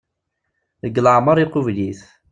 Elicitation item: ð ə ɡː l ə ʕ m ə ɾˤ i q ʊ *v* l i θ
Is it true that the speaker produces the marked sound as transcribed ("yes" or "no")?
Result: yes